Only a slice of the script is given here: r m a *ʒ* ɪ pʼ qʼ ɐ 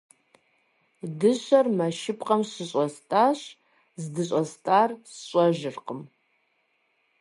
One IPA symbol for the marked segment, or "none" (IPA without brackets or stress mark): ʃ